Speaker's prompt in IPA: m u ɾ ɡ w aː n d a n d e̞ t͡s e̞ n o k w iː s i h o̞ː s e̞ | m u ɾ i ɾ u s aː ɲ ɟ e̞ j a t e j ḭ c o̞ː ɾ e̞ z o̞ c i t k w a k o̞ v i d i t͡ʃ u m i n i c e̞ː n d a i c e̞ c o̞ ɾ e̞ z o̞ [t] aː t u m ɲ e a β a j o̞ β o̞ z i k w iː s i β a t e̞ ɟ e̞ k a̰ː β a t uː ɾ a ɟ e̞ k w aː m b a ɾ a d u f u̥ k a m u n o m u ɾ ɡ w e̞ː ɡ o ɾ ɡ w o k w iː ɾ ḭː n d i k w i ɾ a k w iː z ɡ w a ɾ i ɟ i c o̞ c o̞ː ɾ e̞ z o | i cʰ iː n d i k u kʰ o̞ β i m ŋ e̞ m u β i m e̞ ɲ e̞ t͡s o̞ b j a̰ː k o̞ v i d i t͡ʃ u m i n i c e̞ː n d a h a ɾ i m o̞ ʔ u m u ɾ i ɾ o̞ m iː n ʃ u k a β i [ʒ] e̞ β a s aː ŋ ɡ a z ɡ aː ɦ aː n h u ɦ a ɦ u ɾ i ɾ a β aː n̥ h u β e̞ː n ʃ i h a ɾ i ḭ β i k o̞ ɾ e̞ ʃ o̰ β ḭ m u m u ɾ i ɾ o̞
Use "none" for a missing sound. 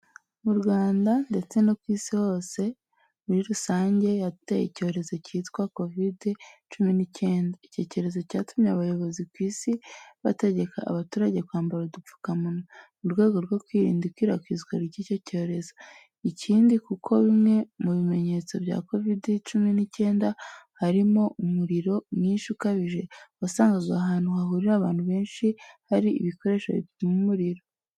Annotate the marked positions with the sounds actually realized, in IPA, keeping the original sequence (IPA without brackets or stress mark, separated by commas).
c, ʒ